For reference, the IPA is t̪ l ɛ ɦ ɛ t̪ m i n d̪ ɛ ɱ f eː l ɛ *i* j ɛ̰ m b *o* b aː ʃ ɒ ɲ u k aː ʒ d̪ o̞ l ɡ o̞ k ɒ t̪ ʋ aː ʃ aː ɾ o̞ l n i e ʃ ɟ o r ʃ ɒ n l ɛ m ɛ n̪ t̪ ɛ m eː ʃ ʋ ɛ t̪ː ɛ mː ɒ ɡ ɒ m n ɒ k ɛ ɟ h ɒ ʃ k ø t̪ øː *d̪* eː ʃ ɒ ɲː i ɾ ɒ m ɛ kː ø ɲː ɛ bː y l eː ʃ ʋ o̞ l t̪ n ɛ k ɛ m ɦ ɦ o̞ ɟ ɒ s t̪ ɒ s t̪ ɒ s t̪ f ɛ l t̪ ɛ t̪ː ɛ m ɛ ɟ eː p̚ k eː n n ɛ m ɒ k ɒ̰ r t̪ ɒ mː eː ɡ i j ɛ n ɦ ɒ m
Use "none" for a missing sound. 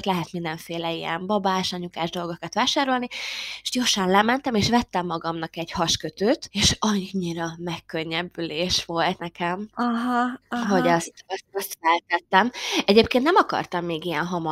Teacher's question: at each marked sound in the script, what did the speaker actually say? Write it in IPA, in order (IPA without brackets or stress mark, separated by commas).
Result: i, ɒ, t̪